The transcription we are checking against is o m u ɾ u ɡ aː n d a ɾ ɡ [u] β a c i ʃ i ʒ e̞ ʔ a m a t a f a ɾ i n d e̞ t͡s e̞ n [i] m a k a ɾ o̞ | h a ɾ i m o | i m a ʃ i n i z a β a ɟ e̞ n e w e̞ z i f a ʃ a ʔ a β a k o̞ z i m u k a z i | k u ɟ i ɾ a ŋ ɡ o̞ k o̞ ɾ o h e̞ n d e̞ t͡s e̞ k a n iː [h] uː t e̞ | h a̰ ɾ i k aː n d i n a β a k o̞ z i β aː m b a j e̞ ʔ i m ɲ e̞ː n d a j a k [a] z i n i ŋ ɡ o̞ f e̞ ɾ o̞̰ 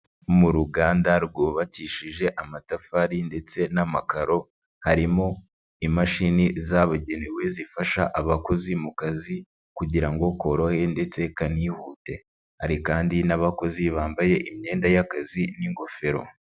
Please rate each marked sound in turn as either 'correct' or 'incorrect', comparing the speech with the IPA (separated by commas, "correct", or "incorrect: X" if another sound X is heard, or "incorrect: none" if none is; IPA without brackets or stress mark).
incorrect: o, incorrect: a, correct, correct